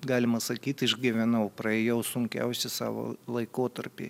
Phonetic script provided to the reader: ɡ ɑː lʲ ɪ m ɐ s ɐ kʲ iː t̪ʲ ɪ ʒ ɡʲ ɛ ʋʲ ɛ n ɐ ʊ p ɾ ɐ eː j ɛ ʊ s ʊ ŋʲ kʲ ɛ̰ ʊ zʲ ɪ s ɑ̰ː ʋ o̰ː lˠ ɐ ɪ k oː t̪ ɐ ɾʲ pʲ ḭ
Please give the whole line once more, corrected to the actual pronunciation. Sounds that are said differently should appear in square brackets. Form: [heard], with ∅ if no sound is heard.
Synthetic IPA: ɡ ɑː lʲ ɪ m ɐ s ɐ kʲ iː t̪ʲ ɪ ʒ ɡʲ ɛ ʋʲ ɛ n ɐ ʊ p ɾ ɐ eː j ɛ ʊ s ʊ ŋʲ kʲ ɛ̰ ʊ [sʲ] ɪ s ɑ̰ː ʋ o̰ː lˠ ɐ ɪ k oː t̪ ɐ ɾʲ pʲ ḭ